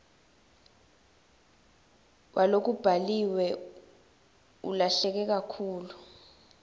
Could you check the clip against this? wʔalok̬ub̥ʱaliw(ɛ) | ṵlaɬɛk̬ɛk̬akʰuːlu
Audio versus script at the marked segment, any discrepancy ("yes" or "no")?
no